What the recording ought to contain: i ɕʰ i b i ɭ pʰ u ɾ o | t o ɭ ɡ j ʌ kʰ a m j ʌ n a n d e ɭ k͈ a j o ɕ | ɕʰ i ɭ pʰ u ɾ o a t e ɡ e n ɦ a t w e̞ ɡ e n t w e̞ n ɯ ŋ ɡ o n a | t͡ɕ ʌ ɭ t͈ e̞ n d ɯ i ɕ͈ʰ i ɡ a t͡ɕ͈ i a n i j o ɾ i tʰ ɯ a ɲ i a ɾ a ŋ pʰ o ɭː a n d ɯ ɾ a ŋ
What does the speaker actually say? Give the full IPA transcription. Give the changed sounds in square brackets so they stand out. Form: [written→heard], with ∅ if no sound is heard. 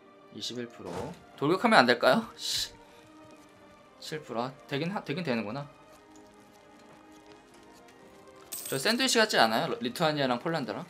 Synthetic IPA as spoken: i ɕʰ i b i ɭ pʰ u ɾ o | t o ɭ ɡ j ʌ kʰ a m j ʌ n a n d e ɭ k͈ a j o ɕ | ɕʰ i ɭ pʰ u ɾ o a t e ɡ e n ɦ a t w e̞ ɡ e n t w e̞ n ɯ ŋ ɡ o n a | t͡ɕ ʌ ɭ [t͈→s͈] e̞ n d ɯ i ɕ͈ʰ i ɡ a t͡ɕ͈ i a n [i→a] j o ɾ i tʰ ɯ a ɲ i a ɾ a ŋ pʰ o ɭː a n d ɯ ɾ a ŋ